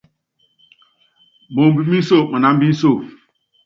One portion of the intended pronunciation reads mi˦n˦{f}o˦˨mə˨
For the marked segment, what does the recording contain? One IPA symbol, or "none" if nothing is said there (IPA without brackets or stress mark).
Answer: s